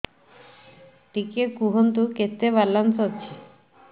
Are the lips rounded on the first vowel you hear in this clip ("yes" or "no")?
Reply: no